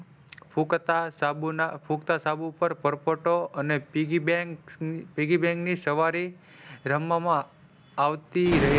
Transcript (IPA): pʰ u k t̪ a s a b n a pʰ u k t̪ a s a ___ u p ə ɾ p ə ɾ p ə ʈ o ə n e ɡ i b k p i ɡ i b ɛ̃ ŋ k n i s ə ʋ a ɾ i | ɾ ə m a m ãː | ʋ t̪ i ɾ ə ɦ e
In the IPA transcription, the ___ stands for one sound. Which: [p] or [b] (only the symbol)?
b